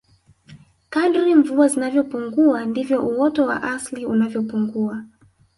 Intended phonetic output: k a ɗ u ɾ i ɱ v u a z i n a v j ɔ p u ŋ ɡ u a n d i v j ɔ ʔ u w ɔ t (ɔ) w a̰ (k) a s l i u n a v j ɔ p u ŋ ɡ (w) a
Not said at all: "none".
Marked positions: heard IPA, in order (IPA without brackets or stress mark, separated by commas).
ɔ, ʔ, u